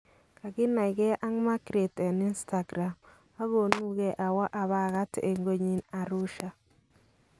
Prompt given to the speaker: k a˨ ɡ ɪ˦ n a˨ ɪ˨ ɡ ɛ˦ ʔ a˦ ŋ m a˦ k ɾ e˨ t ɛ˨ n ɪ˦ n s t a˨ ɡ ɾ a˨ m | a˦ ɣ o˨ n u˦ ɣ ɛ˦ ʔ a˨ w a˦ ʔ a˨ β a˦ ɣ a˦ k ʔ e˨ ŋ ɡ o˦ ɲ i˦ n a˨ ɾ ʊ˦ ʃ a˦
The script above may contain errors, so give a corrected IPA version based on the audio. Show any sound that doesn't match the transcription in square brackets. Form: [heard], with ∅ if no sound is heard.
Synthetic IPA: k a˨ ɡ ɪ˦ n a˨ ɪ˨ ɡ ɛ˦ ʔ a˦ ŋ m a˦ k ɾ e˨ t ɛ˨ n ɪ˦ n s t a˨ ɡ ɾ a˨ m | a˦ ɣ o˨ n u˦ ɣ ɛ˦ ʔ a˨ w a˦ ʔ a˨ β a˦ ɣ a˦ [t] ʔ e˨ ŋ ɡ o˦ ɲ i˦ n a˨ ɾ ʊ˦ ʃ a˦